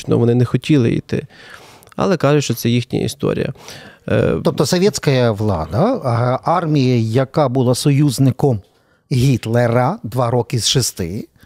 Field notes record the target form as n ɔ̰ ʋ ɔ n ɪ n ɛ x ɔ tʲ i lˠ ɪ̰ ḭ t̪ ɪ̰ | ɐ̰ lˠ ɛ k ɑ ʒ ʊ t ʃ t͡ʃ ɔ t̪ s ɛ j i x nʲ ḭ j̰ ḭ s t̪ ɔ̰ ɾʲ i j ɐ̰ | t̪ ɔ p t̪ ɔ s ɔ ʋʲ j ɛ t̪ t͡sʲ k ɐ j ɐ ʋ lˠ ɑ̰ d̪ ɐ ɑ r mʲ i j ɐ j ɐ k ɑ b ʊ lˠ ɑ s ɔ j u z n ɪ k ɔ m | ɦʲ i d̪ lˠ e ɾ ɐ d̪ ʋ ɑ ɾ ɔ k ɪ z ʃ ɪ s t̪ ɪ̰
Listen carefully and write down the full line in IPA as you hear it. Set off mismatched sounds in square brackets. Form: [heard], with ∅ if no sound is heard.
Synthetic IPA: n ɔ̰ ʋ ɔ n ɪ n ɛ x ɔ tʲ i lˠ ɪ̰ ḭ t̪ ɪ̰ | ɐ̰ lˠ ɛ k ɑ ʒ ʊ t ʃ t͡ʃ ɔ t̪ s ɛ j i x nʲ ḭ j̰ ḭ s t̪ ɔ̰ ɾʲ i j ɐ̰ | t̪ ɔ p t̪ ɔ s ɔ ʋʲ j ɛ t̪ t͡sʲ k ɐ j ɐ ʋ lˠ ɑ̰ d̪ ɐ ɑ r mʲ i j ɐ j ɐ k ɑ b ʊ lˠ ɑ s ɔ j u z n ɪ k ɔ m | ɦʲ i [t̪] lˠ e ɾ ɐ d̪ ʋ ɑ ɾ ɔ k ɪ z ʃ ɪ s t̪ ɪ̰